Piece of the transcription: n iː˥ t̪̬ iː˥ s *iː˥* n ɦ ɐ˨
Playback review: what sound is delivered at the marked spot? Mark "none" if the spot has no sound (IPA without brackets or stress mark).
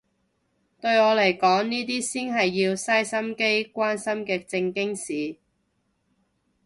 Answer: iː˥